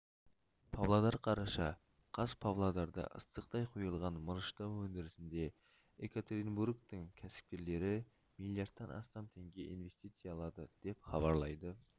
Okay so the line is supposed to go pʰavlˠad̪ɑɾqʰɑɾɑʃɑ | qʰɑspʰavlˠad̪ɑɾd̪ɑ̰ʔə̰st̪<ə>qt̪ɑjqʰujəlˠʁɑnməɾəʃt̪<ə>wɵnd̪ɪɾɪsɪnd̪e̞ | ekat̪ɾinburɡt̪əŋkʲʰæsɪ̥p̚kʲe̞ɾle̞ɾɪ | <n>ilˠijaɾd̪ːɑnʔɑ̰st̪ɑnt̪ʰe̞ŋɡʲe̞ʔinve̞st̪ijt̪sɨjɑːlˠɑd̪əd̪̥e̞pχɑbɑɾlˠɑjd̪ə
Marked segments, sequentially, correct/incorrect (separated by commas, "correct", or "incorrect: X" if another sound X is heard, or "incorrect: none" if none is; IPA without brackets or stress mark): correct, incorrect: ɑ, incorrect: m